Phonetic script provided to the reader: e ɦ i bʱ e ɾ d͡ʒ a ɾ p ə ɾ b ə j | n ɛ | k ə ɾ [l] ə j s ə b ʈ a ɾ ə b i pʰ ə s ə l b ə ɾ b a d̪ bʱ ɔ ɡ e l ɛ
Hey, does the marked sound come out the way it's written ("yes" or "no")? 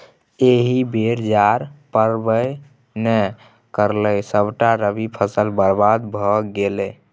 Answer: yes